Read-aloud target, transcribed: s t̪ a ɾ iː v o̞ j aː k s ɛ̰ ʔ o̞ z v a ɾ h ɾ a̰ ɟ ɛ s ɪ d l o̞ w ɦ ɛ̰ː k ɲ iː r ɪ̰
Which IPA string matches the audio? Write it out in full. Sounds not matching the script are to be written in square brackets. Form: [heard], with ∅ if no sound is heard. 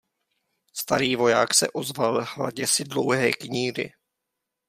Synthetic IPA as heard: s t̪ a ɾ iː v o̞ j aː k s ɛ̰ ʔ o̞ z v a [l] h [l] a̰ ɟ ɛ s ɪ d l o̞ w ɦ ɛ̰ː k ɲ iː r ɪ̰